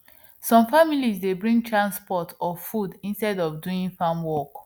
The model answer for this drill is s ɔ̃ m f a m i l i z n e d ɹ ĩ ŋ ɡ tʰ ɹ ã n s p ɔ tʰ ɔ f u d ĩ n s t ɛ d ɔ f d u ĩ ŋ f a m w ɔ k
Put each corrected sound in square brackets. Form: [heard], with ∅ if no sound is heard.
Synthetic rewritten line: s ɔ̃ m f a m i l i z [d] e [b] ɹ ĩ ŋ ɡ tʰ ɹ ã n s p ɔ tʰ ɔ f u d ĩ n s t ɛ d ɔ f d u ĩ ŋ f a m w ɔ k

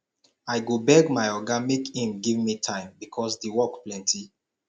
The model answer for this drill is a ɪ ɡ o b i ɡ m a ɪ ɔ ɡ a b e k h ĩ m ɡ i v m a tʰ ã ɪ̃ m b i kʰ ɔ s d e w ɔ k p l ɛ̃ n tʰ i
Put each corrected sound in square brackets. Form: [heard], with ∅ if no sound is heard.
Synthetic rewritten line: a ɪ ɡ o b [ɛ] ɡ m a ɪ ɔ ɡ a [m] e k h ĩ m ɡ i v m [i] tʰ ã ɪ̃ m b i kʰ ɔ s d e w ɔ k p l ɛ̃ n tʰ i

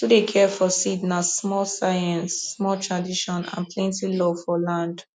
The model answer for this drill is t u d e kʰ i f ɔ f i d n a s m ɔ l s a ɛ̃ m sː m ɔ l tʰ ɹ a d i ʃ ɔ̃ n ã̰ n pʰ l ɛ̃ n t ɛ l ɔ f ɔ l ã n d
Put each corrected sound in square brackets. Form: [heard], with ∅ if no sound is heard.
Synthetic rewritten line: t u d e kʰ [ɛ] f ɔ [s] i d n a s m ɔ l s a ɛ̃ [n] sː m ɔ l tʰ ɹ a d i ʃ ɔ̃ n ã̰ n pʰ l ɛ̃ n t [i] l ɔ f ɔ l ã n d

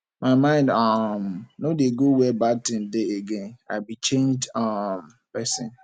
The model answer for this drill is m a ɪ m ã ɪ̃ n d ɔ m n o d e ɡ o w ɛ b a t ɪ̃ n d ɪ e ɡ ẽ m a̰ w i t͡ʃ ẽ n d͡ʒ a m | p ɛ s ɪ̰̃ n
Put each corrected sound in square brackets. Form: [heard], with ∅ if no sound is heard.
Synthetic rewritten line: m a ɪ m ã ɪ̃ n d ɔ m n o d e ɡ o w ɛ b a t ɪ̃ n d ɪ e ɡ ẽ [n] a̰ [b] i t͡ʃ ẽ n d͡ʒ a m | p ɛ s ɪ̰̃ n

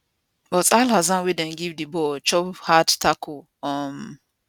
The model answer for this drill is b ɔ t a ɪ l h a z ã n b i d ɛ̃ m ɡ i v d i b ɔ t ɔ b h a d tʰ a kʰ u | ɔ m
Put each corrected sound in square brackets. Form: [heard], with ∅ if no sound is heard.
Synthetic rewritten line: b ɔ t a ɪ l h a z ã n [w] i d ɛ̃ [n] ɡ i v d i b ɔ [t͡ʃ] ɔ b h a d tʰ a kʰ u | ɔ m

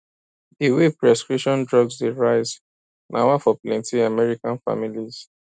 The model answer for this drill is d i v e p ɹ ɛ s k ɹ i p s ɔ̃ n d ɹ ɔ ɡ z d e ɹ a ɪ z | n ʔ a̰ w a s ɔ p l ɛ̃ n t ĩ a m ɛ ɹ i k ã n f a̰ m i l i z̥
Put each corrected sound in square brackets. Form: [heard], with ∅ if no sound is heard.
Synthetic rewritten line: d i [w] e p ɹ ɛ s k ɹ i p [ʃ] ɔ̃ n d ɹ ɔ ɡ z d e ɹ a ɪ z | n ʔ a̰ w a [f] ɔ p l ɛ̃ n t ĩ a m ɛ ɹ i k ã n f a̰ m i l i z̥

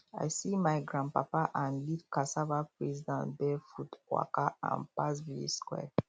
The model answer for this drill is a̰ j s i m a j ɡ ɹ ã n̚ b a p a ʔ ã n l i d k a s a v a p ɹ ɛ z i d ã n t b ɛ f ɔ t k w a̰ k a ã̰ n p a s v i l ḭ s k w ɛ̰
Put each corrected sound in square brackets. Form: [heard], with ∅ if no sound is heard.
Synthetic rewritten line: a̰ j s i m a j ɡ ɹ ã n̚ [p] a p a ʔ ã n l i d k a s a v a p ɹ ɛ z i d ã n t b ɛ f [u] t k w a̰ k a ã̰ n p a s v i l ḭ s k w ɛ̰

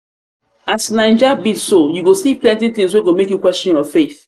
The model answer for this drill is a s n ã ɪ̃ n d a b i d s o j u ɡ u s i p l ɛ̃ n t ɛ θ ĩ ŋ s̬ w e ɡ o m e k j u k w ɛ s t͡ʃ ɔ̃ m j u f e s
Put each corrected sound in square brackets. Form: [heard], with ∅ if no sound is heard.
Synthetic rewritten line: a s n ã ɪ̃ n [d͡ʒ] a b i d s o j u ɡ [o] s i p l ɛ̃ n t [i] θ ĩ ŋ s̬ w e ɡ o m e k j u k w ɛ s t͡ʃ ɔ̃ [n] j [ɔ] f e [θ]

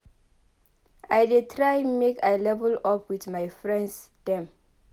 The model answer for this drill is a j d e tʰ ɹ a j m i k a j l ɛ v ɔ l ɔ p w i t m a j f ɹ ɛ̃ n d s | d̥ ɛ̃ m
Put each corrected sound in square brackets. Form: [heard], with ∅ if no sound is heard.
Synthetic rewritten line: a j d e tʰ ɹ a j m [e] k a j l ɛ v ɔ l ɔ p w i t m a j f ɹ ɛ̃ n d s | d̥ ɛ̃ m

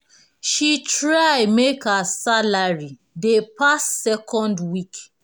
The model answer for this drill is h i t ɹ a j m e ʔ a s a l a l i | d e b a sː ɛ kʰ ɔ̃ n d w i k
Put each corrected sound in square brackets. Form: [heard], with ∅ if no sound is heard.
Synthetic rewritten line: [ʃ] i t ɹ a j m e [k] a s a l a [ɹ] i | d e [p] a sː ɛ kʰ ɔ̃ n d w i k

